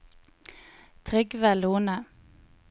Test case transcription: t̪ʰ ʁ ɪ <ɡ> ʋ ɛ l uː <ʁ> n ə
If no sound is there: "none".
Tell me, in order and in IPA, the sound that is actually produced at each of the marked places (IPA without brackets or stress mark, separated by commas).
ɡ, none